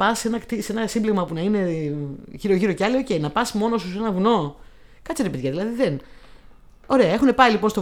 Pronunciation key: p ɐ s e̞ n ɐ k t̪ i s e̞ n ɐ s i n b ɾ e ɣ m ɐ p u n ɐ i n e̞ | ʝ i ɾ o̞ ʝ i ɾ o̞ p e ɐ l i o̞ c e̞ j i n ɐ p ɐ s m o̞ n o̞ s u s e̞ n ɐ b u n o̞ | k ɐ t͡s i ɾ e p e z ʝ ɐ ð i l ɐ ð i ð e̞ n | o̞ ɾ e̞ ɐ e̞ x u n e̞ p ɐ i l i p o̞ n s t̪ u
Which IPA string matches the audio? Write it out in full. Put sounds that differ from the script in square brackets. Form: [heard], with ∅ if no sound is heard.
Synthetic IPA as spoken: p ɐ s e̞ n ɐ k t̪ i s e̞ n ɐ s i [m] b [l] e ɣ m ɐ p u n ɐ i n e̞ | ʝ i ɾ o̞ ʝ i ɾ o̞ [c] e ɐ l i o̞ c e̞ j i n ɐ p ɐ s m o̞ n o̞ s u s e̞ n ɐ [v] u n o̞ | k ɐ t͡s i ɾ e p e [ð] ʝ ɐ ð i l ɐ ð i ð e̞ n | o̞ ɾ e̞ ɐ e̞ x u n e̞ p ɐ i l i p o̞ n s t̪ [o]